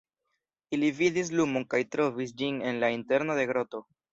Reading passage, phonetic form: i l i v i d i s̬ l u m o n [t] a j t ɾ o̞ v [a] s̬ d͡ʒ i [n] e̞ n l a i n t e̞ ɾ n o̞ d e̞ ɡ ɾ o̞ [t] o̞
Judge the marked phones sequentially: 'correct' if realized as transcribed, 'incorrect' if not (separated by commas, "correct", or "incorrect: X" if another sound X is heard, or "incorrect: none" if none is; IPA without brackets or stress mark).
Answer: incorrect: k, incorrect: i, correct, correct